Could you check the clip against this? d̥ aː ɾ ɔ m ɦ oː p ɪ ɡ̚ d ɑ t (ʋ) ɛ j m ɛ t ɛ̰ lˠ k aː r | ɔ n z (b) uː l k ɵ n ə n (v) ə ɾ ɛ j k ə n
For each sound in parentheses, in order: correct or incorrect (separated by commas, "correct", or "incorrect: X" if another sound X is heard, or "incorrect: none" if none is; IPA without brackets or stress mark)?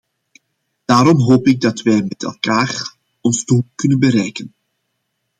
correct, incorrect: d, incorrect: b